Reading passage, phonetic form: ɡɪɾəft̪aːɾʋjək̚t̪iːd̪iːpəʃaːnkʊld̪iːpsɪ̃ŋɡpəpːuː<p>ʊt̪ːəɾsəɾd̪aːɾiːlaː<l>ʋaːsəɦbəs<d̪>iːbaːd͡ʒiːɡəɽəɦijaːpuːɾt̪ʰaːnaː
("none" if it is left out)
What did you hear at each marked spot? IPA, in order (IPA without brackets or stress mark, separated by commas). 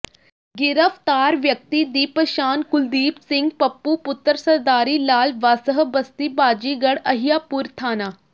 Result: p, l, t̪